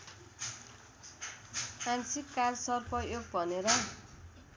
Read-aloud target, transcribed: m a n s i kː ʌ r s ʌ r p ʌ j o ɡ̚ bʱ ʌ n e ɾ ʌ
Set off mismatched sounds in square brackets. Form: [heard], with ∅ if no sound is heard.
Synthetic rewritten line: m a n s i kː [a] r s ʌ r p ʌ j o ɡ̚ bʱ ʌ n e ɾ ʌ